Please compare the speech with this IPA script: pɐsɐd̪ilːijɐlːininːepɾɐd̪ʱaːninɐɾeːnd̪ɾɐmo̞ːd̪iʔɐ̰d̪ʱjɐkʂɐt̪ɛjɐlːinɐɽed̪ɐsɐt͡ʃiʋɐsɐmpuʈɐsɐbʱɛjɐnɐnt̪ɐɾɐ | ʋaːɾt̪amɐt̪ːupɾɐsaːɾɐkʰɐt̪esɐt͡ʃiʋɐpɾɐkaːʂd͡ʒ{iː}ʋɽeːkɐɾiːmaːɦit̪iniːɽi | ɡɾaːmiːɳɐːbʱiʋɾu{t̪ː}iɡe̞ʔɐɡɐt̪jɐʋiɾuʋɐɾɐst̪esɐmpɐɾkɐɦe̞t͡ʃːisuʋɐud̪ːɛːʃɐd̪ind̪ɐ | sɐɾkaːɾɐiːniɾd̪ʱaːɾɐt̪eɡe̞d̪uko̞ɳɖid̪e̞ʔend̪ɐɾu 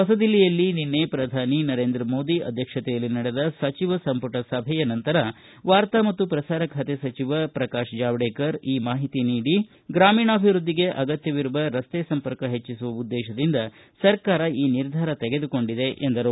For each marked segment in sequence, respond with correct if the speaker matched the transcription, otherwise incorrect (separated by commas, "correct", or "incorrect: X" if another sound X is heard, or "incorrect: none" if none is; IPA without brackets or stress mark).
incorrect: aː, incorrect: d̪ː